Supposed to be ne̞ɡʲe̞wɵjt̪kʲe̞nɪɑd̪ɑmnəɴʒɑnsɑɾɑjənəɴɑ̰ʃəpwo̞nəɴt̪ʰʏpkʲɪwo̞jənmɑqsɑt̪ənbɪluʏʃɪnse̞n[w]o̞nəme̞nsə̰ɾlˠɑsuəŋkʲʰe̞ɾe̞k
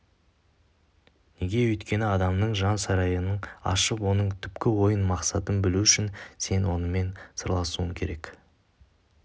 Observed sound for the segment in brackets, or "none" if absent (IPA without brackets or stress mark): w